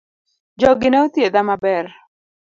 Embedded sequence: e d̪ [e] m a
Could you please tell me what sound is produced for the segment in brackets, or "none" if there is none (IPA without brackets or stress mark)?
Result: a